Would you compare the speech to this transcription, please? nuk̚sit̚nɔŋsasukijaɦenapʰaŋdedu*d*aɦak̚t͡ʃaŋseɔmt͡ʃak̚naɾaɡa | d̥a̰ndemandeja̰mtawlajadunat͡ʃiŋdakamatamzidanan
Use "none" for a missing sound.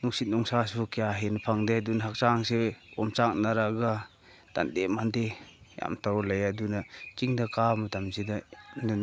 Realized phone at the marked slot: n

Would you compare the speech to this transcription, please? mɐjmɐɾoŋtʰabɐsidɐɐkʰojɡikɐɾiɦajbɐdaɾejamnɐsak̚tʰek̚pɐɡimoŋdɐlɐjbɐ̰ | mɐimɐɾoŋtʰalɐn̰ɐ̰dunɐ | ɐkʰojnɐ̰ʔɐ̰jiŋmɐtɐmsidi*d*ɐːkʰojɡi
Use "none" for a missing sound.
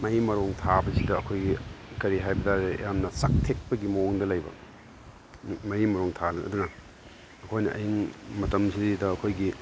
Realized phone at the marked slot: d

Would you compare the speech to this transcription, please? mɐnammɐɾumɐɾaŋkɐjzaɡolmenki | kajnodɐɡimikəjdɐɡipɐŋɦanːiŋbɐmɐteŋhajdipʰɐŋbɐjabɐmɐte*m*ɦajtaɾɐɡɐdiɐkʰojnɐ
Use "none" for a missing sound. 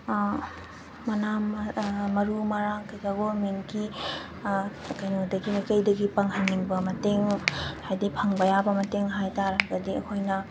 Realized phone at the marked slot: ŋ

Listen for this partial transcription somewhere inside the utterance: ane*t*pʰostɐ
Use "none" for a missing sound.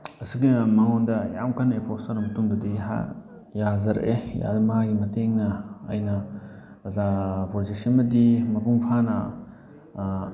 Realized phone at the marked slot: none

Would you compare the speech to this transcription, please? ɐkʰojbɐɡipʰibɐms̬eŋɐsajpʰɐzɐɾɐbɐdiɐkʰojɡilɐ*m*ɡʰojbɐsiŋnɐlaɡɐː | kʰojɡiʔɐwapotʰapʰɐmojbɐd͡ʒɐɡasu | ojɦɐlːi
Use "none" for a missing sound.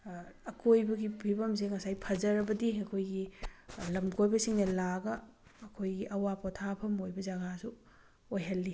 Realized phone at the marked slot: m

